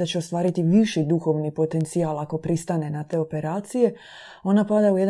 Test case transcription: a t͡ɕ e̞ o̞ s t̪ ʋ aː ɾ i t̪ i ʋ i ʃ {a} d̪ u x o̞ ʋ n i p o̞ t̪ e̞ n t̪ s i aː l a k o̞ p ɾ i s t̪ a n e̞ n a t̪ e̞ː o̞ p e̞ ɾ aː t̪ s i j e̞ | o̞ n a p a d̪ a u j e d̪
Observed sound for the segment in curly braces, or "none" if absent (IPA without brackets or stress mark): i